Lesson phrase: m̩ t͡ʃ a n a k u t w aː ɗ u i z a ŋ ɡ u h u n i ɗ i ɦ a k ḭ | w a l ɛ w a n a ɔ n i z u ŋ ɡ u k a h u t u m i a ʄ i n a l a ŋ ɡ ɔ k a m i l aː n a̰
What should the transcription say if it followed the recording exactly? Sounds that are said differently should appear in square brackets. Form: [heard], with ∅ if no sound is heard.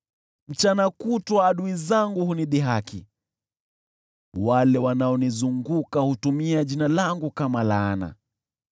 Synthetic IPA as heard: m̩ t͡ʃ a n a k u t w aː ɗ u i z a ŋ ɡ u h u n i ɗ i ɦ a k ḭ | w a l ɛ w a n a ɔ n i z u ŋ ɡ u k a h u t u m i a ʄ i n a l a ŋ ɡ [u] k a m [a] l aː n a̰